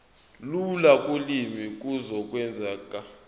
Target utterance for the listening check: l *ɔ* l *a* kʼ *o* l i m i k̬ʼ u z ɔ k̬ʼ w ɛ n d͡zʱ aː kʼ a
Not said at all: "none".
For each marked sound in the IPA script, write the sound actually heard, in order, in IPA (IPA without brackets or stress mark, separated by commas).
u, a, u